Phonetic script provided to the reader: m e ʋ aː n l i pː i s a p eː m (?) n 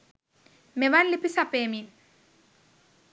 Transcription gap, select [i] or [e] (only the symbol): i